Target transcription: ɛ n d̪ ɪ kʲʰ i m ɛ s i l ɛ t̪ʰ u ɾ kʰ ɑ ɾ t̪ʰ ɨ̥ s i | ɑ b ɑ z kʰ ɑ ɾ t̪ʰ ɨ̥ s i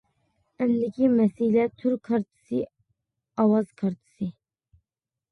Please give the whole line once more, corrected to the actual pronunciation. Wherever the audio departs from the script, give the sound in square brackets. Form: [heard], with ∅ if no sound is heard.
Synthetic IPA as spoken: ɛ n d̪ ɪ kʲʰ i m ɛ s i l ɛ t̪ʰ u ɾ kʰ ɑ ɾ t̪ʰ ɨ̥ s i | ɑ [w] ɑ z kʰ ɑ ɾ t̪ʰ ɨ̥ s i